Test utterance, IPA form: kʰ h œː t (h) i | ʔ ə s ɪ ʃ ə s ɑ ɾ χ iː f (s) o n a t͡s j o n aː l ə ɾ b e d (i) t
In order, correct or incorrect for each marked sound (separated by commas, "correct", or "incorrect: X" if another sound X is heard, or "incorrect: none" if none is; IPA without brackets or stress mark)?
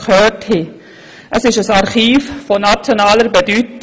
correct, incorrect: f, incorrect: y